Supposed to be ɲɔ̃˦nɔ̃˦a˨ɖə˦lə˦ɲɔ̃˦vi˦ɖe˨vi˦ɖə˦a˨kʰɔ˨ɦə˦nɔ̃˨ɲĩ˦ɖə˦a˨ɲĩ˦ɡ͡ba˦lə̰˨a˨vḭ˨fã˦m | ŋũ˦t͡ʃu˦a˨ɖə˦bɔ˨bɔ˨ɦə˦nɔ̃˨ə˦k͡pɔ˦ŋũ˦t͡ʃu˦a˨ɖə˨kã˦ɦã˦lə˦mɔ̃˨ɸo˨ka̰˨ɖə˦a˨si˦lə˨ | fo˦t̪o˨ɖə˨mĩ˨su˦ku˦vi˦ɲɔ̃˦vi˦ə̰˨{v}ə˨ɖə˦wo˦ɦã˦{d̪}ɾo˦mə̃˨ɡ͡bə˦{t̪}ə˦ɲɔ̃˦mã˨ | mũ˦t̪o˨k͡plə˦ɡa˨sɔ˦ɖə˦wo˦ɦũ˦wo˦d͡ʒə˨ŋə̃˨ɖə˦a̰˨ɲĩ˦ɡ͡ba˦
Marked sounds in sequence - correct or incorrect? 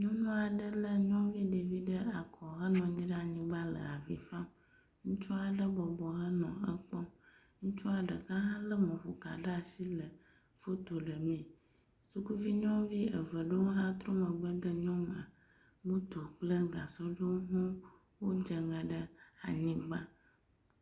correct, incorrect, incorrect

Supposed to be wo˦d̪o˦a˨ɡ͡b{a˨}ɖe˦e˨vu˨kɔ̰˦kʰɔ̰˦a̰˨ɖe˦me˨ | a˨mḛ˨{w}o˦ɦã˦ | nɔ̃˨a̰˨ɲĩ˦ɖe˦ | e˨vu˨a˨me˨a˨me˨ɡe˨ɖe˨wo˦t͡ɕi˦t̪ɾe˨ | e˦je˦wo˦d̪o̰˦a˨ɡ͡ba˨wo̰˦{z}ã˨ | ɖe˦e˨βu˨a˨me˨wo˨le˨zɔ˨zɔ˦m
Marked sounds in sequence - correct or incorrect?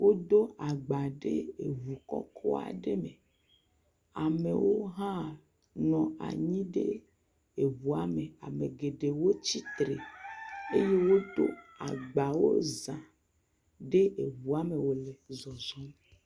correct, correct, correct

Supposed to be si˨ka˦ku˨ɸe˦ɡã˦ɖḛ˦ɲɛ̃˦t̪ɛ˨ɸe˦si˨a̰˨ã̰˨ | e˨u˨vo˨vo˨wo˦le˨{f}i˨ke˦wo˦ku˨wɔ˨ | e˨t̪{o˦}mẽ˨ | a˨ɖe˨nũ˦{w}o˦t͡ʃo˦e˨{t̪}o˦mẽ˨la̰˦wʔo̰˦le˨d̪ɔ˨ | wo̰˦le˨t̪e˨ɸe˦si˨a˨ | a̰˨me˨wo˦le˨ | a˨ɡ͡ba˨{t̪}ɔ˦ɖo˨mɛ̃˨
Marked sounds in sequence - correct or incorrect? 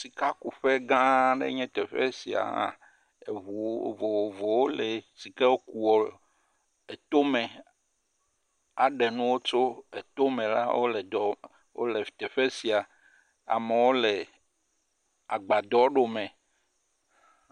incorrect, correct, correct, correct, incorrect

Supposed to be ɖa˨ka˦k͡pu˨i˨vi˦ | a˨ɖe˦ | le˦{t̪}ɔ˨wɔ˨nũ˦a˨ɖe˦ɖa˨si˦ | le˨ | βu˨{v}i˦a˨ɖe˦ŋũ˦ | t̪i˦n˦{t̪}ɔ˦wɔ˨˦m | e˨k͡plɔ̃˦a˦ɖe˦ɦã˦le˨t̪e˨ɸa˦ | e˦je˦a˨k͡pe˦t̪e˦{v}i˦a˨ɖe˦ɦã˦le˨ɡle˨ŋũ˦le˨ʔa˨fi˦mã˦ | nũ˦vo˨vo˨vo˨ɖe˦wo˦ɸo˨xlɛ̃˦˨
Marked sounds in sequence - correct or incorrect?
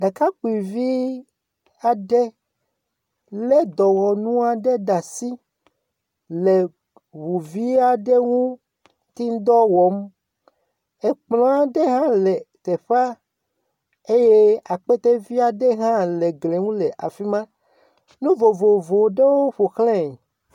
incorrect, correct, incorrect, correct

